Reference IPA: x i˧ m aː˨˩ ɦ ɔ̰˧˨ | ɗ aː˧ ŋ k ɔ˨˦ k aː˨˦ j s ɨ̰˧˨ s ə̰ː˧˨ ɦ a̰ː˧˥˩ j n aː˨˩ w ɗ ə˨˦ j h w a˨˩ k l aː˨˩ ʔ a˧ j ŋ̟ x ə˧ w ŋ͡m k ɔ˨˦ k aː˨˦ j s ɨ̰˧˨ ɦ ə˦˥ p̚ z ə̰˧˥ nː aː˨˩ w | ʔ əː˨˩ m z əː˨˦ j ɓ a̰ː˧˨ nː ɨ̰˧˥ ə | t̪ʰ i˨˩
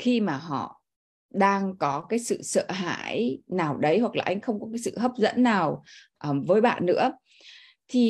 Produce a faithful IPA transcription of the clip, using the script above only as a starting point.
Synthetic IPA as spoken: x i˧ m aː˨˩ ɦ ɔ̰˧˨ | ɗ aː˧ ŋ k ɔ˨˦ k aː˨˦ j s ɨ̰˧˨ s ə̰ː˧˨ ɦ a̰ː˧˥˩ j n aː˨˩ w ɗ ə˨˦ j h w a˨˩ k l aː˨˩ ʔ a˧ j ŋ̟ x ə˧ w ŋ͡m k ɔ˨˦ k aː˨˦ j s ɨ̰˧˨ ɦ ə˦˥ p̚ z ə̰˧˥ nː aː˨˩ w | ʔ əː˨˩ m v əː˨˦ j ɓ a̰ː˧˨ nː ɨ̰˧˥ ə | t̪ʰ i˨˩